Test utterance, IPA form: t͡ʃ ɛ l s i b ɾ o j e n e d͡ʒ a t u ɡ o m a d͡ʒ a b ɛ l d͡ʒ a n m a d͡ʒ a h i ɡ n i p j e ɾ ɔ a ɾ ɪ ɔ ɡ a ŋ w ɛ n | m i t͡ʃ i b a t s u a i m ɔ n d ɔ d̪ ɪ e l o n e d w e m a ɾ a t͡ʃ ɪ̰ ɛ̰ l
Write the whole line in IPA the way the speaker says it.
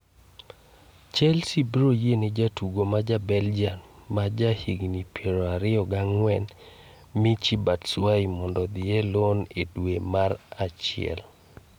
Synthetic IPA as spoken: t͡ʃ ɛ l s i b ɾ o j e n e d͡ʒ a t u ɡ o m a d͡ʒ a b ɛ l d͡ʒ a n m a d͡ʒ a h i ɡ n i p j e ɾ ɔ a ɾ ɪ ɔ ɡ a ŋ w ɛ n | m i t͡ʃ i b a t s w a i m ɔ n d ɔ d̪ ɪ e l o n e d w e m a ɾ a t͡ʃ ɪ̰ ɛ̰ l